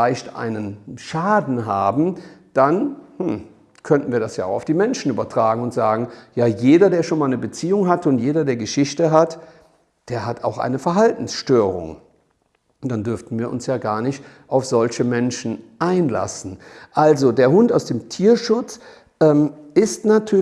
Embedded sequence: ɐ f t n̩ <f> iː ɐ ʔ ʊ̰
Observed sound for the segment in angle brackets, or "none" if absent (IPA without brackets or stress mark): v